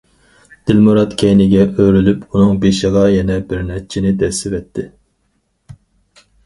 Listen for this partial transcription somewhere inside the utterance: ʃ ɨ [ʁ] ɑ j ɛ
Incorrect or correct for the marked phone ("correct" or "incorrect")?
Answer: correct